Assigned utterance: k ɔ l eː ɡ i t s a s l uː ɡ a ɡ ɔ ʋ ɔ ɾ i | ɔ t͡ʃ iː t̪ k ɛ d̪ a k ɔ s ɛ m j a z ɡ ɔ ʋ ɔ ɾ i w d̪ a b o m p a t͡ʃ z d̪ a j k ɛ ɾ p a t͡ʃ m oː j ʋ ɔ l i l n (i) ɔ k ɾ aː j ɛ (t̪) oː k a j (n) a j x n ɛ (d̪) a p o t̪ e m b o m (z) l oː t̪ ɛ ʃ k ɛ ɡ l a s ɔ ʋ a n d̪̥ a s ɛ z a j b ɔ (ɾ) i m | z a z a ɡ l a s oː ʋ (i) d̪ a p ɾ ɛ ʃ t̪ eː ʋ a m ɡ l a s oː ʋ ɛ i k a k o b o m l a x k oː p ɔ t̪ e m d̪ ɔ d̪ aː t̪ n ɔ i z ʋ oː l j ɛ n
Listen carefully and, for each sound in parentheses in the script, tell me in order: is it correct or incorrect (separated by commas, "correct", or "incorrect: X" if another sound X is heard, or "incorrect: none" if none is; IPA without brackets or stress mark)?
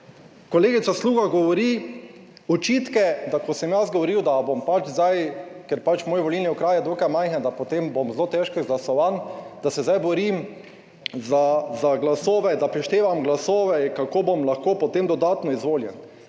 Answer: correct, incorrect: d̪, incorrect: m, correct, correct, correct, incorrect: ɛ